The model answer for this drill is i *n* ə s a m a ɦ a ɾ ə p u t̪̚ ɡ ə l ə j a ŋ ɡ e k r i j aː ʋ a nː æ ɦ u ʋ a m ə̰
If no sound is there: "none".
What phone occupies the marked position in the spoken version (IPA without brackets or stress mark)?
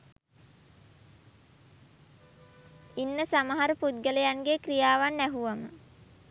nː